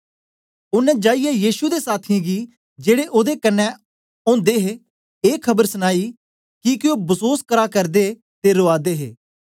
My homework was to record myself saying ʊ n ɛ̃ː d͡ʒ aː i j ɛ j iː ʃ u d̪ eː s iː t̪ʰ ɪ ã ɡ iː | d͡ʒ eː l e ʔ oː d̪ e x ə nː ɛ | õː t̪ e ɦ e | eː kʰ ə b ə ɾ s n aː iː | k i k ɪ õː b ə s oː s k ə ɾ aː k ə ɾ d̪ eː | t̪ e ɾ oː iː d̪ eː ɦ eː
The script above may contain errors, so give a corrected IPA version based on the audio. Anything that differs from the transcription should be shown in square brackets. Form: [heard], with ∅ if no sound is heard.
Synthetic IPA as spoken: ʊ n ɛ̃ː d͡ʒ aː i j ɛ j iː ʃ u d̪ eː s [aː] t̪ʰ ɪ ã ɡ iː | d͡ʒ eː [ɽ] e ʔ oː d̪ e [k] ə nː ɛ | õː [d̪] e ɦ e | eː kʰ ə b ə ɾ s n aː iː | k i k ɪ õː b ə s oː s k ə ɾ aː k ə ɾ d̪ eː | t̪ e ɾ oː [aː] d̪ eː ɦ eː